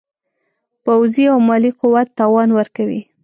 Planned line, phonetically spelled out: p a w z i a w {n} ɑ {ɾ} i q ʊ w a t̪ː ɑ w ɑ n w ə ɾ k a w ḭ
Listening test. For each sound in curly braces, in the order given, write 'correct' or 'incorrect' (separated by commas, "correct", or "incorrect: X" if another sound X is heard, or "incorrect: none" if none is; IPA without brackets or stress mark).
incorrect: m, incorrect: l